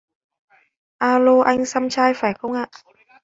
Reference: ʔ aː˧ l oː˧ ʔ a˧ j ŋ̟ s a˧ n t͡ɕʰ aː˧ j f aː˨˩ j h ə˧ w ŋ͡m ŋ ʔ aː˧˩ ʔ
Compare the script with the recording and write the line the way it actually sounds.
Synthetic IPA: ʔ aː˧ l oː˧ ʔ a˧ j ŋ̟ s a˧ m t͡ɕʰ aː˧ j f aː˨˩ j x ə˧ w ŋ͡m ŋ ʔ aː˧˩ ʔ